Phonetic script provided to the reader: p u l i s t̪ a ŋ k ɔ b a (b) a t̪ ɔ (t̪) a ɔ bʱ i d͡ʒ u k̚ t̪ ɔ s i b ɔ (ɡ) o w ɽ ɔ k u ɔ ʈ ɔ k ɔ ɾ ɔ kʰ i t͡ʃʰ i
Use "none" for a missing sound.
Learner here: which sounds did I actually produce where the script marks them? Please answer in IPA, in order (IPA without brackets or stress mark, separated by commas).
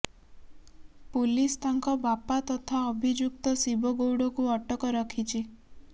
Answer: p, t̪ʰ, ɡ